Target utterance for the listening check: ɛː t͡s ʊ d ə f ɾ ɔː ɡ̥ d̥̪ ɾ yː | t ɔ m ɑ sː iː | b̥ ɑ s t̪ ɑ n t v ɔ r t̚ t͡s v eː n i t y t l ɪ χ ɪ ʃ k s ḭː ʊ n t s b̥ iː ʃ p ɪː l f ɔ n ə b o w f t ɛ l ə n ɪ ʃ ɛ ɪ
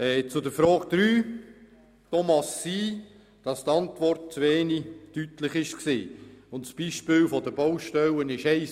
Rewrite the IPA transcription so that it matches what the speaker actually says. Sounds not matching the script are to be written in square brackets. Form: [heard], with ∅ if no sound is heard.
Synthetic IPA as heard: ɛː t͡s ʊ d ə f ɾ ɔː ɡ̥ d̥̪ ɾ yː | t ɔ m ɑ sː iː | [d̥] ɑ s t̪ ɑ n t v ɔ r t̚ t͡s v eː n i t y t l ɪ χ ɪ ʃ k s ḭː ʊ n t s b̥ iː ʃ p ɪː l f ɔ [d] ə b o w [ʃ] t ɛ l ə n ɪ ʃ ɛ ɪ

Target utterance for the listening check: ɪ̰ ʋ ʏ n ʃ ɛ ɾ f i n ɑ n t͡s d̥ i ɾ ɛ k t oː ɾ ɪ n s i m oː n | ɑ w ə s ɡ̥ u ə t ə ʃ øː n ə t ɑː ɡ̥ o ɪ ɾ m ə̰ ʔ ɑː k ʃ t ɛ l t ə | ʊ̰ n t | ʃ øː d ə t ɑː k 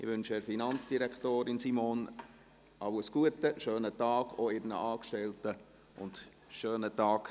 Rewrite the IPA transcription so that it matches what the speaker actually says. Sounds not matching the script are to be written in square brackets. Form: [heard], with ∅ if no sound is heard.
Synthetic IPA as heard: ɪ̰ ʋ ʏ n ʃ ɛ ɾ f i n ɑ n t͡s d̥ i ɾ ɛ k t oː ɾ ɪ n s i m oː n | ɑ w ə s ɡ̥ u ə t ə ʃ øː n ə t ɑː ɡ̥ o ɪ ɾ [n] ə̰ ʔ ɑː k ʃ t ɛ l t ə | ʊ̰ n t | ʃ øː [n] ə t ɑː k

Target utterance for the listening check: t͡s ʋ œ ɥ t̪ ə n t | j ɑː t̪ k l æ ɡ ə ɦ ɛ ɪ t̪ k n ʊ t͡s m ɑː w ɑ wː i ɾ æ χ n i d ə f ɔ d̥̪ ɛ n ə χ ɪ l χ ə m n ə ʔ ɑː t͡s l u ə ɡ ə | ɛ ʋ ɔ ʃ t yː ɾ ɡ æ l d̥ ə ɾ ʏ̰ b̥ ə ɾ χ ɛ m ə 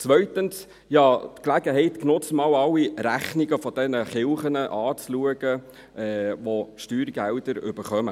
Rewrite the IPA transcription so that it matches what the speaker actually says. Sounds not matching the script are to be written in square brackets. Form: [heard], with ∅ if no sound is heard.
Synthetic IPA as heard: t͡s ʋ œ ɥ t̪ ə n [s] | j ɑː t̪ k l æ ɡ ə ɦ ɛ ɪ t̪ k n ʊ t͡s m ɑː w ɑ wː i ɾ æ χ n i [ɡ] ə f ɔ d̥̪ ɛ n ə χ ɪ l χ ə [∅] n ə ʔ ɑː t͡s l u ə ɡ ə | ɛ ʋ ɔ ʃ t yː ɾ ɡ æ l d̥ ə ɾ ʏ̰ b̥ ə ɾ χ [œ] m ə

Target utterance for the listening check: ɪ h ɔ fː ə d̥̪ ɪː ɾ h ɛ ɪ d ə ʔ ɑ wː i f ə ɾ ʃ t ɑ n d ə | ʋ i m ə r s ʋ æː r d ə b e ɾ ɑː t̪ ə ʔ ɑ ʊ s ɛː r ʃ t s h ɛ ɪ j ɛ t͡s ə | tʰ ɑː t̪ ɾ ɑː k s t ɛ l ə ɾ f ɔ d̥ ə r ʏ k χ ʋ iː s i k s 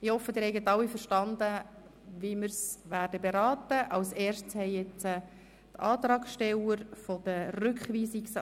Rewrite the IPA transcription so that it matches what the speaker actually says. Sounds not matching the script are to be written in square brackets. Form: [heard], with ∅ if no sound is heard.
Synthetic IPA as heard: ɪ h ɔ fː ə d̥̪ ɪː ɾ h ɛ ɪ [ɡ] ə [t] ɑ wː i f ə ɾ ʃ t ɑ n d ə | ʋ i m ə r s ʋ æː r d ə b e ɾ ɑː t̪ ə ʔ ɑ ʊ s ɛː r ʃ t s h ɛ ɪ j ɛ t͡s ə | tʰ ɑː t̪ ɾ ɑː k [ʃ] t ɛ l ə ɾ f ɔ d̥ ə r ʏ k χ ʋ iː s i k s

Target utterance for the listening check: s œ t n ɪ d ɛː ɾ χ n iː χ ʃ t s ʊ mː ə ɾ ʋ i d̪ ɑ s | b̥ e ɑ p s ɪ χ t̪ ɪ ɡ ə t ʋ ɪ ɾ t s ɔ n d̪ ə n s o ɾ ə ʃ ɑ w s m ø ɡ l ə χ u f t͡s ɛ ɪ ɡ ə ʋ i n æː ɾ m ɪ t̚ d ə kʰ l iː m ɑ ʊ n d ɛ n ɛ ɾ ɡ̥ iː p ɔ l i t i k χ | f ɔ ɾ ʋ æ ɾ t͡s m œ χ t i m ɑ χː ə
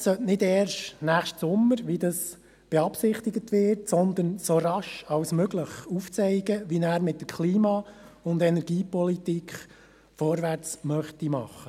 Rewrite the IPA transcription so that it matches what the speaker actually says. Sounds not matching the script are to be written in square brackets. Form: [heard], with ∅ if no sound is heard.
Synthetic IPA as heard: s œ t n ɪ d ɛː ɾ [ʃ] n [æː] χ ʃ t s ʊ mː ə ɾ ʋ i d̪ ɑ s | b̥ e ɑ p s ɪ χ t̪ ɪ ɡ ə t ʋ ɪ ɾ t s ɔ n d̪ ə n s o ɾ [ɑ] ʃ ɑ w s m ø ɡ l ə χ u f t͡s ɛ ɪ ɡ ə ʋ i n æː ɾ m ɪ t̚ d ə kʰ l iː m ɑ ʊ n d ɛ n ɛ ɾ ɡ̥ iː p ɔ l i t i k χ | f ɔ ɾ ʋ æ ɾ t͡s m œ χ t i m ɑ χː ə

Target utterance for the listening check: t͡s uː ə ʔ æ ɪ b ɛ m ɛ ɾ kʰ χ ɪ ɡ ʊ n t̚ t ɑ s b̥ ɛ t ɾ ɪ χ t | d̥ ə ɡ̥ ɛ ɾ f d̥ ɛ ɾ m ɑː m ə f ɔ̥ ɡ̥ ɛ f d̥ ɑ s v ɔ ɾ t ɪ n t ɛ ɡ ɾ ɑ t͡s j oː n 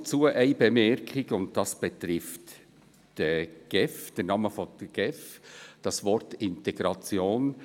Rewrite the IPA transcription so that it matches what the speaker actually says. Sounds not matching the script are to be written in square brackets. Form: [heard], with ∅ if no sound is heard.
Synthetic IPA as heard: t͡s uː ə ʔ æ ɪ b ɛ m ɛ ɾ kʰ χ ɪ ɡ ʊ n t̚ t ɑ s b̥ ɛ t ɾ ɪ [f] t | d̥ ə ɡ̥ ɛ [∅] f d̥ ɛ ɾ [n] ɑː m ə f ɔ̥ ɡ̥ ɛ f d̥ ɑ s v ɔ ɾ t ɪ n t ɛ ɡ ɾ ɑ t͡s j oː n

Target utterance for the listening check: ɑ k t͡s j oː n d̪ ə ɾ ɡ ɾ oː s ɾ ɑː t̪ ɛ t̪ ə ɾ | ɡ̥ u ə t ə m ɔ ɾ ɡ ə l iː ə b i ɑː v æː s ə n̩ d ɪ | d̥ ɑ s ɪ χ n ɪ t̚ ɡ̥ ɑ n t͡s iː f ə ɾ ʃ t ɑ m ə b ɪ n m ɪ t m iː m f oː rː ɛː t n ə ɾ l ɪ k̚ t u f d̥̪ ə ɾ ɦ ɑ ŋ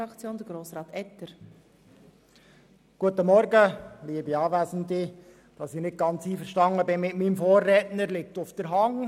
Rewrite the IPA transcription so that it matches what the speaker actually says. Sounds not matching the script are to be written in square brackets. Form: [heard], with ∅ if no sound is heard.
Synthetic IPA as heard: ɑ k t͡s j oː n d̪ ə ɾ ɡ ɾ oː s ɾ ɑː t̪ ɛ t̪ ə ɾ | ɡ̥ u ə t ə m ɔ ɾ ɡ ə l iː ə b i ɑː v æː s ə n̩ d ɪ | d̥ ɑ s ɪ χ n ɪ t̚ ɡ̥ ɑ n t͡s iː f ə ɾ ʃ t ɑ [ŋ] ə b ɪ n m ɪ t m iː m f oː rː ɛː t n ə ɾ l ɪ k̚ t [ʊ] f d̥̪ ə ɾ ɦ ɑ ŋ

